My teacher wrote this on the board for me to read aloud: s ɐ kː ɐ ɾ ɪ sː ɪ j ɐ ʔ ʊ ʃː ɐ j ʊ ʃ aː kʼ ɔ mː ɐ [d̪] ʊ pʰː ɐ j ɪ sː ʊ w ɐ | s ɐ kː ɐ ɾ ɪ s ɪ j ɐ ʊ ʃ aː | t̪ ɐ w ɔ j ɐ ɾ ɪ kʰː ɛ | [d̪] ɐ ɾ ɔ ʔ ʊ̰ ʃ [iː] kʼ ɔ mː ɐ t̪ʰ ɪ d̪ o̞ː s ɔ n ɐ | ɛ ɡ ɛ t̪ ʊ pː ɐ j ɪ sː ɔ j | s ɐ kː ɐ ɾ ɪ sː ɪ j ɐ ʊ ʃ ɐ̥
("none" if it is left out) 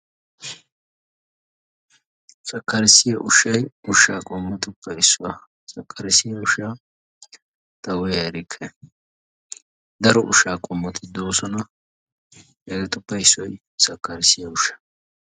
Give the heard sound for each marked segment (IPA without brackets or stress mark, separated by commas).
t̪, d̪, aː